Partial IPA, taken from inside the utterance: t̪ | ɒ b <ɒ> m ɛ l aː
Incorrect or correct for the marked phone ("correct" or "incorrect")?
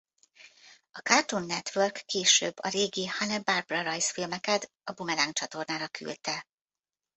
incorrect